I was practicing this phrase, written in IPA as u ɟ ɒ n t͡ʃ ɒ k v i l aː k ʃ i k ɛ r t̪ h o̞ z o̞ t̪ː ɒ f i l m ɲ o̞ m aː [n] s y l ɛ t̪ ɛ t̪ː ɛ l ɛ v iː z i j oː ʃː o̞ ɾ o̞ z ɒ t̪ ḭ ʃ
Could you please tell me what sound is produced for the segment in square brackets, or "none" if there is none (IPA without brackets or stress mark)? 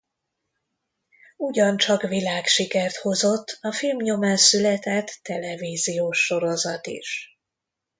n